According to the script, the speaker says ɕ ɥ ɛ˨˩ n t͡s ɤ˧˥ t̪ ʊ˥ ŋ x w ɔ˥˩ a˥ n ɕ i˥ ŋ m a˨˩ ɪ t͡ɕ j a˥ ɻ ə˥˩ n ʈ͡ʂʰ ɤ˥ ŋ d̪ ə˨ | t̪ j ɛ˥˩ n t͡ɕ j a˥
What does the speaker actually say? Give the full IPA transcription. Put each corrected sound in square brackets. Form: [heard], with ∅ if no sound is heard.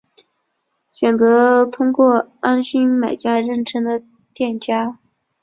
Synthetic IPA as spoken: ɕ ɥ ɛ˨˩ n t͡s ɤ˧˥ [t̪ʰ] ʊ˥ ŋ [k] w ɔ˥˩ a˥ n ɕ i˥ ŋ m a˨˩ ɪ t͡ɕ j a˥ ɻ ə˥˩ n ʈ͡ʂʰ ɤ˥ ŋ d̪ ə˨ | t̪ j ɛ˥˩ n t͡ɕ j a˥